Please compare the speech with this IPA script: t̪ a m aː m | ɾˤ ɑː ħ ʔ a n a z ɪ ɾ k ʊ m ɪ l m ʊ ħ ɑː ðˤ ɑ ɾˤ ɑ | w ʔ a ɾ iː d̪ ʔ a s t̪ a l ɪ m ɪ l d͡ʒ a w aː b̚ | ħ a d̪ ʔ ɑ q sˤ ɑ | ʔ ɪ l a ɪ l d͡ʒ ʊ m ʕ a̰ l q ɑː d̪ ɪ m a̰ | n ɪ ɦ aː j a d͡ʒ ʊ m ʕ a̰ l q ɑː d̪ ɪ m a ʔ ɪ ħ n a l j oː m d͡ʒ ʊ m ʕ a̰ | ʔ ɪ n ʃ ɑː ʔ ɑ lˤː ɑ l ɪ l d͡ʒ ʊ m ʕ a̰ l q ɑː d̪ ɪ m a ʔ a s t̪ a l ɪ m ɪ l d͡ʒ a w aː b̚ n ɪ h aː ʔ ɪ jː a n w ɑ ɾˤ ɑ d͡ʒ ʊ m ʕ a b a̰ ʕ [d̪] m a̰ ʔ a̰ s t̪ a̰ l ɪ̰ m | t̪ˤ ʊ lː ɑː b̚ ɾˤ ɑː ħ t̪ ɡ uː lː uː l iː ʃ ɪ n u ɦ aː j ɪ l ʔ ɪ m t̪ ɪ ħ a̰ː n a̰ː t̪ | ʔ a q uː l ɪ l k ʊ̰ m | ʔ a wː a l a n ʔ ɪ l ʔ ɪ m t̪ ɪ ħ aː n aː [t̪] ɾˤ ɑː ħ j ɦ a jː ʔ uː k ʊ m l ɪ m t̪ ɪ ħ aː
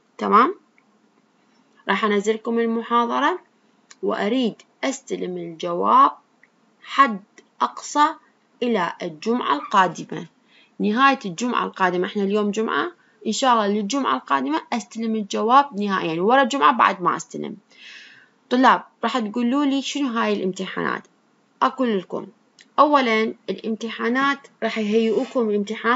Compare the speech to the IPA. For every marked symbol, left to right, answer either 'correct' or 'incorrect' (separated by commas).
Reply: correct, correct